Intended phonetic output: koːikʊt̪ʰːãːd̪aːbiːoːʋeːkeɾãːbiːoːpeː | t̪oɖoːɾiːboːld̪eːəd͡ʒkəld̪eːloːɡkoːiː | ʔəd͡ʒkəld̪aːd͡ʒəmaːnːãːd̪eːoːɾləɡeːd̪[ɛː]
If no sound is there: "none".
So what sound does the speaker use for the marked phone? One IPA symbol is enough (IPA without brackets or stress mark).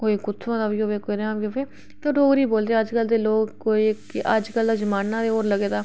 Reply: aː